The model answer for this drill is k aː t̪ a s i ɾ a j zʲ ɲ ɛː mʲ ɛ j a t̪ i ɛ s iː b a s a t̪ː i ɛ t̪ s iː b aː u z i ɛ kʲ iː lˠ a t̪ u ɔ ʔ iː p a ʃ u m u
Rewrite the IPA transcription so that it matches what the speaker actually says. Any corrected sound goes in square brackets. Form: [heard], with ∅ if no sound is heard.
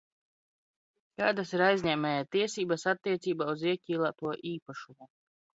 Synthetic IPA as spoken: k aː [d̪] a s i ɾ a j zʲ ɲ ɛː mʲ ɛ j a t̪ i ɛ s iː b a s a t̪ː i ɛ t̪ s iː b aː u z i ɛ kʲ iː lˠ a t̪ u ɔ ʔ iː p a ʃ u m u